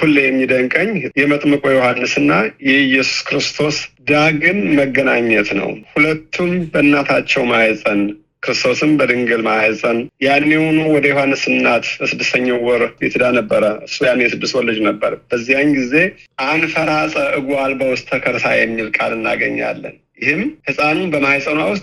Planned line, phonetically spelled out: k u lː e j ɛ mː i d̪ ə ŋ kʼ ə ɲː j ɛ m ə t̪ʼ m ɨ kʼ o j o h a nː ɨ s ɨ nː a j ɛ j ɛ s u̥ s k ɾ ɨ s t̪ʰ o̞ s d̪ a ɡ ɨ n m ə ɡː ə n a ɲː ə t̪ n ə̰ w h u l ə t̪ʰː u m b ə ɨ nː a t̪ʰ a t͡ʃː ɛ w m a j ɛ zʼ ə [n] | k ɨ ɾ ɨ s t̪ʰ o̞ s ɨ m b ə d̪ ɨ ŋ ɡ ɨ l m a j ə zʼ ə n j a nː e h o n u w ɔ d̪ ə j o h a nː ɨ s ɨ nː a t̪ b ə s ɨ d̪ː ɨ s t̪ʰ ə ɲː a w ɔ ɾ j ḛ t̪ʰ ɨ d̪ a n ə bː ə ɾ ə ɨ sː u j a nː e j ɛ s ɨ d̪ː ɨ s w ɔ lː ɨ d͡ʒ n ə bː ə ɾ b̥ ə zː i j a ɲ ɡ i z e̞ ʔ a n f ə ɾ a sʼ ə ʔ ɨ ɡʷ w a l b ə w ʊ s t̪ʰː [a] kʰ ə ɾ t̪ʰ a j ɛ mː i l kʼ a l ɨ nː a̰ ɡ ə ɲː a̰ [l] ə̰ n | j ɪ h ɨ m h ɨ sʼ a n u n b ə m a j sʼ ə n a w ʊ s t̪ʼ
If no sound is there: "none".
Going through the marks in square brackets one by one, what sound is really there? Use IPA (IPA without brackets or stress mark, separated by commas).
n, ə, lː